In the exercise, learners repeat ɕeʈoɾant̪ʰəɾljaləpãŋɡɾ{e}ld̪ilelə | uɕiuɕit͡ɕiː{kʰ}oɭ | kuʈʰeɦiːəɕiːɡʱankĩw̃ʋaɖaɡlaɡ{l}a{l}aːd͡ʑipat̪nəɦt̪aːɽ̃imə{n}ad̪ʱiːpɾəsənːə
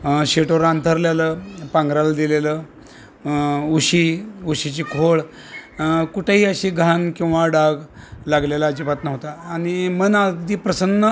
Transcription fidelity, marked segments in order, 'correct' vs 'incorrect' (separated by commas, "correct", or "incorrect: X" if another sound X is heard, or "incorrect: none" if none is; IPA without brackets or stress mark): incorrect: a, correct, correct, correct, correct